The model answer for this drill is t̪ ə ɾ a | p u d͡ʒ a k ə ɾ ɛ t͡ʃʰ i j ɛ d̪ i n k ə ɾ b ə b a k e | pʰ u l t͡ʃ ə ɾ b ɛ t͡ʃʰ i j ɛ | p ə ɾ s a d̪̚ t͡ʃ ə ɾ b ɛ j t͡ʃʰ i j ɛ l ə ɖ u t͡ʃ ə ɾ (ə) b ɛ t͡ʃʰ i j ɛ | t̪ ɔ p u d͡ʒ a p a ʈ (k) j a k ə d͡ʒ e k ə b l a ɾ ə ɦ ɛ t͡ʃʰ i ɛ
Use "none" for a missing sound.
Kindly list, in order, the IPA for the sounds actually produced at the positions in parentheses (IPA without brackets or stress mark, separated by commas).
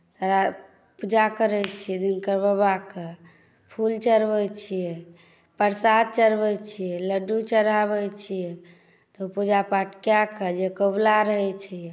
a, k